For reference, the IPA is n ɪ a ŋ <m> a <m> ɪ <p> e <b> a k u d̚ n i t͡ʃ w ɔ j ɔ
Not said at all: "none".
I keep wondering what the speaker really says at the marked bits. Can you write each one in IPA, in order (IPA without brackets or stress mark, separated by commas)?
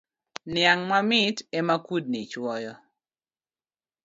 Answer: m, m, t, m